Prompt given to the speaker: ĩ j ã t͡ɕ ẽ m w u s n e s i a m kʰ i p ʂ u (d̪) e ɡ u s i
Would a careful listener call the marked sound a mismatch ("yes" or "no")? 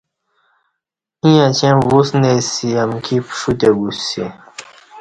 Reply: yes